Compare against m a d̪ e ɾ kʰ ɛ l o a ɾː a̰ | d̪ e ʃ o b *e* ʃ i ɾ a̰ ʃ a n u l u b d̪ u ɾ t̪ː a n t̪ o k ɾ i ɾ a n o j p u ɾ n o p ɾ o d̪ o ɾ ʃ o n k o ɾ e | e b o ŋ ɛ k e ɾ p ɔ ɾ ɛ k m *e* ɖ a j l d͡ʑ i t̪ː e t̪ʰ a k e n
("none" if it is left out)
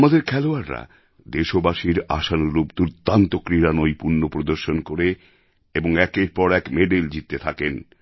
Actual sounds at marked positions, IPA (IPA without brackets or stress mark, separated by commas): a, e